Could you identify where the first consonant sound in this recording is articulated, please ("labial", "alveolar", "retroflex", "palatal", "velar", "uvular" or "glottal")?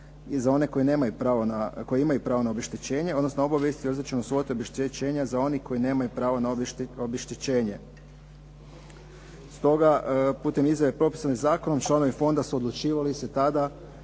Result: alveolar